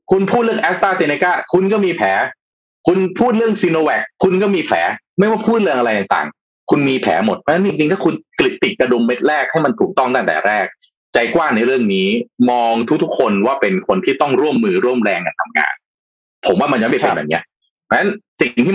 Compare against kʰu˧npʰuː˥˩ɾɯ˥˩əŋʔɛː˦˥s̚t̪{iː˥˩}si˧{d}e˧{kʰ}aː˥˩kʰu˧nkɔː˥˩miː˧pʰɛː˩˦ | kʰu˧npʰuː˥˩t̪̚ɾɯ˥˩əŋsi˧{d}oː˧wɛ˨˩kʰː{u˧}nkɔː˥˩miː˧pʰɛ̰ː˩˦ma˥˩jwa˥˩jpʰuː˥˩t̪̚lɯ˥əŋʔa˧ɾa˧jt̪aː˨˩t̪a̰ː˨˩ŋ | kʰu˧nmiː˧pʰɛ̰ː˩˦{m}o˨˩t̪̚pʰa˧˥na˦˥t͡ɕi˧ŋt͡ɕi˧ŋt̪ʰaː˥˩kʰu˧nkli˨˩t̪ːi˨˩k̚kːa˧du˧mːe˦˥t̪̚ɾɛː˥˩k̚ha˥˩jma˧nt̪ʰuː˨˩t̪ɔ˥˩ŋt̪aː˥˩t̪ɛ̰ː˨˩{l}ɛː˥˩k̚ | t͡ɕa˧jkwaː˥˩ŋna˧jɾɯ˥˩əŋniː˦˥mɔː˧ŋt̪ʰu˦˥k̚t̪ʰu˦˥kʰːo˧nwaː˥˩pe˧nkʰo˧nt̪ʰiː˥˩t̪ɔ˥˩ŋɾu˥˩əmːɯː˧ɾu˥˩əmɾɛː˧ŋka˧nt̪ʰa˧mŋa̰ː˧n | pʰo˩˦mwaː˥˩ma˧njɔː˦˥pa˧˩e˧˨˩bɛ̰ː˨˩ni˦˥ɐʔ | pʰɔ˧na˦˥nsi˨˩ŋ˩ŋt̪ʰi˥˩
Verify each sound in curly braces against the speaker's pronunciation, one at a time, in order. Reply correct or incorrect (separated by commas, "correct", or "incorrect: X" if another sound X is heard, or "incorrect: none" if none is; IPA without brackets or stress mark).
incorrect: aː˥˩, incorrect: n, incorrect: k, incorrect: n, correct, correct, incorrect: ɾ